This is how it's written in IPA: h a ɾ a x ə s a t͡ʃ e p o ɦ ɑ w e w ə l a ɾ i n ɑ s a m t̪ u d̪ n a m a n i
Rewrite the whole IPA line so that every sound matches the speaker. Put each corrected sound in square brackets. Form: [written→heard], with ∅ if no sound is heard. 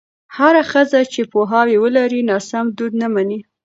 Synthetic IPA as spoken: h a ɾ a x ə [s→z] a t͡ʃ e p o ɦ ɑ w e w ə l a ɾ i n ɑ s a m [t̪→d̪] u d̪ n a m a n i

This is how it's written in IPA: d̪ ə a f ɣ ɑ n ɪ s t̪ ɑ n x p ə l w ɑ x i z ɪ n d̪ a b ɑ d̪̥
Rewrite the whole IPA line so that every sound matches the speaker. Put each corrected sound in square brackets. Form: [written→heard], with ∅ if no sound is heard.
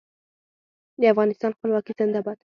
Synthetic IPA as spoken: d̪ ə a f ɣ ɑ n ɪ s t̪ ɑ n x p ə l w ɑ [x→k] i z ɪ n d̪ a b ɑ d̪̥

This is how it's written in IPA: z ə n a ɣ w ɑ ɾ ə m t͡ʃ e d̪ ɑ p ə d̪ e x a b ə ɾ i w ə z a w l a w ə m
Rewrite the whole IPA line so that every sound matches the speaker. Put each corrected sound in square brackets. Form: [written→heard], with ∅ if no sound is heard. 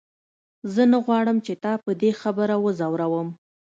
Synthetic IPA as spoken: z ə n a ɣ w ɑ [ɾ→ɽ] ə m t͡ʃ e [d̪→t̪] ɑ p ə d̪ e x a b ə ɾ [i→a] w ə z a w [l→ɾ] a w ə m

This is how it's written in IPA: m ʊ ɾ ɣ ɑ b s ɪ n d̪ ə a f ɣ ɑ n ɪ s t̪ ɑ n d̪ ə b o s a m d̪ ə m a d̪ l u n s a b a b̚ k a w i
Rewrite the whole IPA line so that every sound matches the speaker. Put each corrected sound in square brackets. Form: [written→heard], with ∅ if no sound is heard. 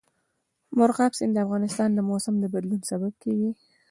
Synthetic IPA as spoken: m ʊ ɾ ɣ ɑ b s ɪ n d̪ ə a f ɣ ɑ n ɪ s t̪ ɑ n d̪ ə [b→m] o s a m d̪ ə [m→b] a d̪ l u n s a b a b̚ k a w i

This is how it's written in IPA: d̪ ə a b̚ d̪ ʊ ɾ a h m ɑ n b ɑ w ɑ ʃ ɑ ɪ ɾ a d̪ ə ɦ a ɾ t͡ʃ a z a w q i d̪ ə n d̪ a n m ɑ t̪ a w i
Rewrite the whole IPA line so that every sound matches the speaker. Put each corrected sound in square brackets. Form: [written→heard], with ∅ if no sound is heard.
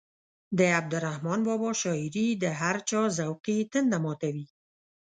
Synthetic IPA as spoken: d̪ ə a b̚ d̪ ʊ ɾ a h m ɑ n b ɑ [w→b] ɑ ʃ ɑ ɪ ɾ [a→i] d̪ ə ɦ a ɾ t͡ʃ [a→ɑ] z a w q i [d̪→t̪] ə n d̪ a [n→∅] m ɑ t̪ a w i

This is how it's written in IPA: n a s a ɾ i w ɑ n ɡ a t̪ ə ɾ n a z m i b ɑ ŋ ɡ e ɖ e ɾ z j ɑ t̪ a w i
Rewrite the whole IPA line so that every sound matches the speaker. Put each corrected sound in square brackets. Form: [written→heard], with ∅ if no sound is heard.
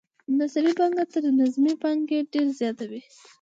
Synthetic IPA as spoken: n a s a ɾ i [w→b] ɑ [n→ŋ] ɡ a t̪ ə ɾ n a z m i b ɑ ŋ ɡ e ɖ e ɾ z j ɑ t̪ a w i

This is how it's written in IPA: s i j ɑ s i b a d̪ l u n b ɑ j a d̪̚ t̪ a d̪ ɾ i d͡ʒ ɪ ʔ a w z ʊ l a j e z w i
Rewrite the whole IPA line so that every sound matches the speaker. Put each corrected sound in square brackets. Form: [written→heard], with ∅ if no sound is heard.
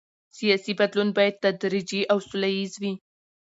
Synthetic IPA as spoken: s i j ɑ s i b a d̪ l u n b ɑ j a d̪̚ t̪ a d̪ ɾ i d͡ʒ [ɪ→i] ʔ a w [z→s] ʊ l a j [e→i] z w i

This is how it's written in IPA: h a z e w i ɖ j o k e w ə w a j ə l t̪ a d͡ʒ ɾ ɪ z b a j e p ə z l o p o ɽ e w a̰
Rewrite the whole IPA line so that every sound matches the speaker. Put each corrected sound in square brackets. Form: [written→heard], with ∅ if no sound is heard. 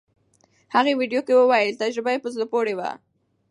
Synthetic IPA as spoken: h a [z→ɣ] e w i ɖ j o k e w ə w a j ə l t̪ a d͡ʒ ɾ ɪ [z→∅] b a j e p ə z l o p o ɽ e w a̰

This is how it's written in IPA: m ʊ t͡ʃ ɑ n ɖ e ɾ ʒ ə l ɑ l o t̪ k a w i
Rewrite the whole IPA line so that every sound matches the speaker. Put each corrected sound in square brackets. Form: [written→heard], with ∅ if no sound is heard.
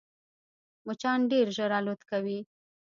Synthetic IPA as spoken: m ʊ t͡ʃ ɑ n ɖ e ɾ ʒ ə [l→ɾ] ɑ l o t̪ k a w i

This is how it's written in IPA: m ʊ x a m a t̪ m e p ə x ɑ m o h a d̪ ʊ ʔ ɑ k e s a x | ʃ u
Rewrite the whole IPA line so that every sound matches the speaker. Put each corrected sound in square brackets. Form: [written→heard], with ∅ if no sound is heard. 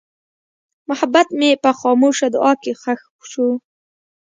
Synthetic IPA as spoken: m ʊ [x→h] a [m→b] a t̪ m e p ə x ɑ m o [h→ʃ] a d̪ ʊ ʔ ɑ k e [s→x] a x | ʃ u

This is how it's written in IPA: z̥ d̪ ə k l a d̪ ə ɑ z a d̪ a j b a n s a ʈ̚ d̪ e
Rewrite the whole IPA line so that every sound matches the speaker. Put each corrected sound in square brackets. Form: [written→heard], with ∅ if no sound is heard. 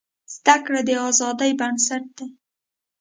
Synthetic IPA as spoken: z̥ d̪ [ə→a] k [l→ɽ] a d̪ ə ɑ z [a→ɑ] d̪ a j b a n s a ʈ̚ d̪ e

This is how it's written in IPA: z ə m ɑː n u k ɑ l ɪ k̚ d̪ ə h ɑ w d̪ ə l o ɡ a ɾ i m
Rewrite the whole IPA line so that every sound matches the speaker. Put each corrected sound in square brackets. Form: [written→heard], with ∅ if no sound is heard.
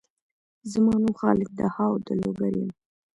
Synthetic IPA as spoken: z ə m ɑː n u [k→x] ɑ l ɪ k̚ d̪ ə h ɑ w d̪ ə l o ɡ a ɾ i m

